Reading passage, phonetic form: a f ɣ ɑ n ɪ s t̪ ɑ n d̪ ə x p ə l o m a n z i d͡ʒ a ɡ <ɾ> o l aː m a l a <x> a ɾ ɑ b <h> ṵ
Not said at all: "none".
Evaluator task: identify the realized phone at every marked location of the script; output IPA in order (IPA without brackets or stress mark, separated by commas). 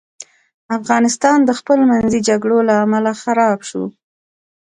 ɽ, x, ʃ